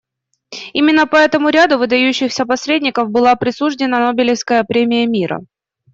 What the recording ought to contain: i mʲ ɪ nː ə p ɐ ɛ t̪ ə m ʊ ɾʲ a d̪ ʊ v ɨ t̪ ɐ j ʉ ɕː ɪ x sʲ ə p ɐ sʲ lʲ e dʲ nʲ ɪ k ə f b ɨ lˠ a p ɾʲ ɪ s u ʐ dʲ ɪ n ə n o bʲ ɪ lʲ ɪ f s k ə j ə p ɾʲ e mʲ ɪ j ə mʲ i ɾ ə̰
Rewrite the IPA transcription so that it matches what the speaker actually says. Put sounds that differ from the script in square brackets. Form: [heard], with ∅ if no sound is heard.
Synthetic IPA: i mʲ ɪ nː ə p ɐ ɛ t̪ ə m ʊ ɾʲ a d̪ ʊ v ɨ [d̪] ɐ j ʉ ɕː ɪ x sʲ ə p ɐ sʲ [ɾʲ] e dʲ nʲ ɪ k ə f b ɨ lˠ a p ɾʲ ɪ s u ʐ dʲ ɪ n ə n o bʲ ɪ lʲ ɪ f s k ə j ə p ɾʲ e mʲ ɪ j ə mʲ i ɾ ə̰